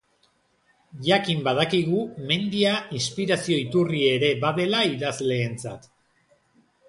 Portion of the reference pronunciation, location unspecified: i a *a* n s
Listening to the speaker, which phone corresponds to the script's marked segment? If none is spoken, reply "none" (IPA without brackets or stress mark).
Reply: i